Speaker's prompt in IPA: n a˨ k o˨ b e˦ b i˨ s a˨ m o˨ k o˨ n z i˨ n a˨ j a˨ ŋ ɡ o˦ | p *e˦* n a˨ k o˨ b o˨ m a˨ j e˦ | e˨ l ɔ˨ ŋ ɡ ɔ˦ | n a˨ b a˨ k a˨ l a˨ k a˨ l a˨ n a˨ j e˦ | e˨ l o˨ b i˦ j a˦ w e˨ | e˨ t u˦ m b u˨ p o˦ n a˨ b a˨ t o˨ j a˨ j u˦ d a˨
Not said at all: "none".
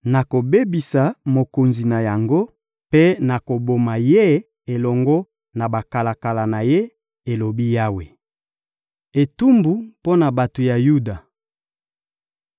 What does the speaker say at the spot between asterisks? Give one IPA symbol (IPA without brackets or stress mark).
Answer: e˦